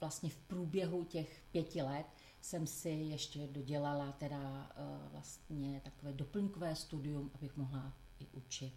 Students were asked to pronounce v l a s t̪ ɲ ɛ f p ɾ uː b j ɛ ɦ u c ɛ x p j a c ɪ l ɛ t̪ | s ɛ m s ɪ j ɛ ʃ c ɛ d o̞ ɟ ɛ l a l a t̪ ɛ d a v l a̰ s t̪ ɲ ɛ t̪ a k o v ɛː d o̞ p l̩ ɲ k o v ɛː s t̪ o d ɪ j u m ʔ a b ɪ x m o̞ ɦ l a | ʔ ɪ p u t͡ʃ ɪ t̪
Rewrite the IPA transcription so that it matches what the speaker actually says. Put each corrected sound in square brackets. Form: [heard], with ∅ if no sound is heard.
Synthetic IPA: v l a s t̪ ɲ ɛ f p ɾ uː b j ɛ ɦ u c ɛ x p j [ɛ] c ɪ l ɛ t̪ | s ɛ m s ɪ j ɛ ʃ c ɛ d o̞ ɟ ɛ l a l a t̪ ɛ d a v l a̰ s t̪ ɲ ɛ t̪ a k o v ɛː d o̞ p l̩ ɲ k o v ɛː s t̪ [u] d ɪ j u m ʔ a b ɪ x m o̞ ɦ l a | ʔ ɪ [ʔ] u t͡ʃ ɪ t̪